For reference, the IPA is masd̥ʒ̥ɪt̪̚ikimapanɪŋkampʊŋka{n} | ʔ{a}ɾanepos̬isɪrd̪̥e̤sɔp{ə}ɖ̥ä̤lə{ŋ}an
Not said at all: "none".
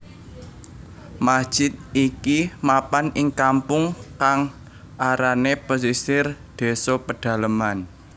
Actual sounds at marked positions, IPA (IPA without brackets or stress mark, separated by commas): ŋ, a, ə, m